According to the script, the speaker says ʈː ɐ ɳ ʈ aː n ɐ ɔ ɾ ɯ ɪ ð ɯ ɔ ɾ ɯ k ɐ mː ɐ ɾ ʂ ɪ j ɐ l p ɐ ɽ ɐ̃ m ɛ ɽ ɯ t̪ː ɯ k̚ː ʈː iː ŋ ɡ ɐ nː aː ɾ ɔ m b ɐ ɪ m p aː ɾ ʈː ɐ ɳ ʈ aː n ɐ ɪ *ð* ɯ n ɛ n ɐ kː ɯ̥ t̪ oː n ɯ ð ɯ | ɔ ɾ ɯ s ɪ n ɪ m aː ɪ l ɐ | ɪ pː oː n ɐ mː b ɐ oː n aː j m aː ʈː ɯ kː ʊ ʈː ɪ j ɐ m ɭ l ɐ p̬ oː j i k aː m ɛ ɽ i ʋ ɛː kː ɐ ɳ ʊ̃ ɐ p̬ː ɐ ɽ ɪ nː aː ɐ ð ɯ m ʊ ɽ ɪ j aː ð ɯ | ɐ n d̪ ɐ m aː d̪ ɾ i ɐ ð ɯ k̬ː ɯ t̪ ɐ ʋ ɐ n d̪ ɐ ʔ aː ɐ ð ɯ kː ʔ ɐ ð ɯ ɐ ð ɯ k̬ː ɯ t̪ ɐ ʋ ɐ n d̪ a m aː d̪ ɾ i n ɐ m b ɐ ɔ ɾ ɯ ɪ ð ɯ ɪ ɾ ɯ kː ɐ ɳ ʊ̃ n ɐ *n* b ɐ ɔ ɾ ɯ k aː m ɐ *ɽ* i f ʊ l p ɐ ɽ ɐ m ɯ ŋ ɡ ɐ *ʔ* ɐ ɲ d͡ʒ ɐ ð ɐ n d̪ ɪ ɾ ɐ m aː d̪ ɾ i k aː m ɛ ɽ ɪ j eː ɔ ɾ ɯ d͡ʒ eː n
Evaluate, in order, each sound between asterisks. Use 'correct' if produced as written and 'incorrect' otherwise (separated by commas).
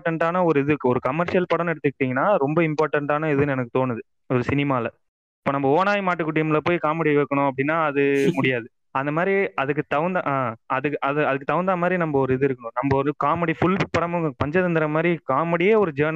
correct, incorrect, correct, incorrect